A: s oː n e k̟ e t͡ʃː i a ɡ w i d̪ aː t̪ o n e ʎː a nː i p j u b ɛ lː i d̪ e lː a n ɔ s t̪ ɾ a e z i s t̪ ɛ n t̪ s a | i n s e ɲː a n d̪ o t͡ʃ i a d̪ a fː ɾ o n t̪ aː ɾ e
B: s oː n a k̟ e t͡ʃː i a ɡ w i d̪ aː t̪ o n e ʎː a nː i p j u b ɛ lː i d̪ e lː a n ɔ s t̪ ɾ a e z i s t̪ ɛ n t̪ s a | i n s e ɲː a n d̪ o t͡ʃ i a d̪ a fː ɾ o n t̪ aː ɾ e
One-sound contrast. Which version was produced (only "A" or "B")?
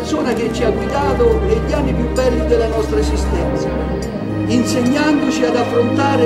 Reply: B